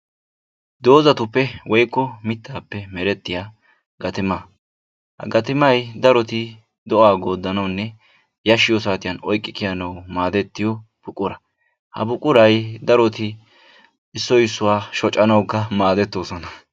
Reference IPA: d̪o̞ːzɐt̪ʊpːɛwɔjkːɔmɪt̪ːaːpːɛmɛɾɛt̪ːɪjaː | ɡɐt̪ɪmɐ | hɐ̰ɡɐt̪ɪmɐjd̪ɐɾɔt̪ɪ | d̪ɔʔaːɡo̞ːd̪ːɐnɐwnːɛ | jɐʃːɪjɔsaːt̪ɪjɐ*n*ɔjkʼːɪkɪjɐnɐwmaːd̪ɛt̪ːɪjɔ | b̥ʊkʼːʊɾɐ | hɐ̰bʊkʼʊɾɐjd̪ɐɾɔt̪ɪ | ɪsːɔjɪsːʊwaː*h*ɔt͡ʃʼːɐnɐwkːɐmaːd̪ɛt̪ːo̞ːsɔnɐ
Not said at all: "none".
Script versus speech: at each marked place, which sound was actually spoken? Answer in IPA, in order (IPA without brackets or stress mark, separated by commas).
n, ʃ